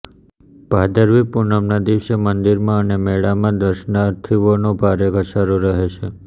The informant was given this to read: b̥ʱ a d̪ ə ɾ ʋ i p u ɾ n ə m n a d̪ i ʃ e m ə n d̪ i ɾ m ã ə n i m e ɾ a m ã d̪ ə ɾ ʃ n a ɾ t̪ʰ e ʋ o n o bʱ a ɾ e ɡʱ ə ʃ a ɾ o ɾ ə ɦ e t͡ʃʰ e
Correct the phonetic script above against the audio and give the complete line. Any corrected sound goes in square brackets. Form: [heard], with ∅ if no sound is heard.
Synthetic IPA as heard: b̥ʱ a d̪ ə ɾ ʋ i p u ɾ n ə m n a d̪ i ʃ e m ə n d̪ i ɾ m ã ə n [e] m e [ɭ] a m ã d̪ ə ɾ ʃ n a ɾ t̪ʰ [i] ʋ o n o bʱ a ɾ e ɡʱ ə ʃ a ɾ o ɾ ə ɦ e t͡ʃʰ e